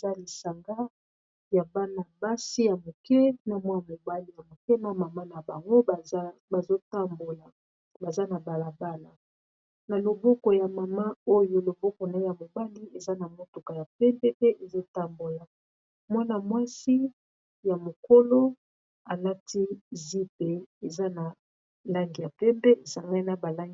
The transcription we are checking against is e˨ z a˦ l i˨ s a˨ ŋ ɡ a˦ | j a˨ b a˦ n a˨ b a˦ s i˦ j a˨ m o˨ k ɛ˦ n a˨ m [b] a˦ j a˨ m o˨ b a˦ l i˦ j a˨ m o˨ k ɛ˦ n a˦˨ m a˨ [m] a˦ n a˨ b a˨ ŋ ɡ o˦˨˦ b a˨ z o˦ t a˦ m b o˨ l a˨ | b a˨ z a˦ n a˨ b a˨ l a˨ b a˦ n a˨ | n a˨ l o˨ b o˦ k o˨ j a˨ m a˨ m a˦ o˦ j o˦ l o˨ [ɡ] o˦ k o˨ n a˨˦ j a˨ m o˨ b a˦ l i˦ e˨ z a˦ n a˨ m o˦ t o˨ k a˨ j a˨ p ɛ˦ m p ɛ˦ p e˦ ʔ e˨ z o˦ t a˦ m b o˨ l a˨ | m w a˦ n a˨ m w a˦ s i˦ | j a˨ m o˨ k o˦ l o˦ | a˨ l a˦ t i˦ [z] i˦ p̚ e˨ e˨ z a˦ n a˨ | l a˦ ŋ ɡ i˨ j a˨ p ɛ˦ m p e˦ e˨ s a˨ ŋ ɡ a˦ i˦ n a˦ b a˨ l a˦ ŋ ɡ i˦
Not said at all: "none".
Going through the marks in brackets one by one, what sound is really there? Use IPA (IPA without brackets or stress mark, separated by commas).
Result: w, m, b, z